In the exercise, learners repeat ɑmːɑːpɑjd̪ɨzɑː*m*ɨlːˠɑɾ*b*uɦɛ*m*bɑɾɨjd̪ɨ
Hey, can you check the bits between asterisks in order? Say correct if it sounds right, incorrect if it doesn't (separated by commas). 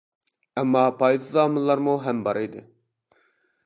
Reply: correct, incorrect, correct